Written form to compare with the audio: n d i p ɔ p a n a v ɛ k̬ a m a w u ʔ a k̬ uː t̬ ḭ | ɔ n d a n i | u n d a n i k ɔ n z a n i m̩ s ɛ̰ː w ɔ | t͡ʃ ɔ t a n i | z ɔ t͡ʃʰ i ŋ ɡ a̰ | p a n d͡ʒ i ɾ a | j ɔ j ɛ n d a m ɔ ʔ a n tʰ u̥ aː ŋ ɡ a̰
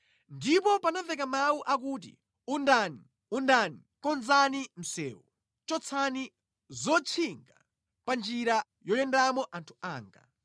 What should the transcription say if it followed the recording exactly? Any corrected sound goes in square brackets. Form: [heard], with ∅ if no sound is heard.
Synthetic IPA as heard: n d i p ɔ p a n a v ɛ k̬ a m a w u ʔ a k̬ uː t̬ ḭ | [u] n d a n i | u n d a n i k ɔ n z a n i m̩ s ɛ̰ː w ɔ | t͡ʃ ɔ [t͡sʰ] a n i | z ɔ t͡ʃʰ i ŋ ɡ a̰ | p a n d͡ʒ i ɾ a | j ɔ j ɛ n d a m ɔ ʔ a n tʰ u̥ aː ŋ ɡ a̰